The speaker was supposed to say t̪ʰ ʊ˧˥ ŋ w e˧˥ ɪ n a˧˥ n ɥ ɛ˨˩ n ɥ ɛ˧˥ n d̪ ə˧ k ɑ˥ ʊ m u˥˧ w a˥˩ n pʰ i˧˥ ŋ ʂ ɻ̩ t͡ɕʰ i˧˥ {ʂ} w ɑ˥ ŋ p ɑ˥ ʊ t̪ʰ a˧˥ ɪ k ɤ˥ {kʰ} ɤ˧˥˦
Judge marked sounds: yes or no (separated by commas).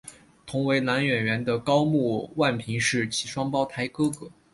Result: yes, no